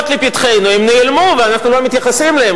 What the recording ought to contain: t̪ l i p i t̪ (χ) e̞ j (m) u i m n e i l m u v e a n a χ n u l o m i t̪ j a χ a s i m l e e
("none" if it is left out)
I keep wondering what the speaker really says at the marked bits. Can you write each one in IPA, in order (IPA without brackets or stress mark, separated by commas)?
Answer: χ, n